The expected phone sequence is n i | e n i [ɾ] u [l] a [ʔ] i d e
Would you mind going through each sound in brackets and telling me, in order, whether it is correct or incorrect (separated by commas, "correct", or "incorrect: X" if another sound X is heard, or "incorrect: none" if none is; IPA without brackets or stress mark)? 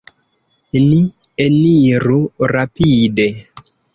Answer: correct, incorrect: ɾ, incorrect: p